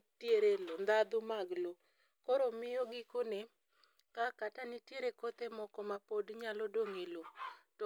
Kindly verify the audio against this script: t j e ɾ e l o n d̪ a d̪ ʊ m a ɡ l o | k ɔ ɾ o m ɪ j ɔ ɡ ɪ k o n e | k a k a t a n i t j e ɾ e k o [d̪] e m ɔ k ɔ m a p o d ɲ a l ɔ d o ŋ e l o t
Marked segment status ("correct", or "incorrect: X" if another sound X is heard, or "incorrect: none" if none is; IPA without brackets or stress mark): incorrect: t̪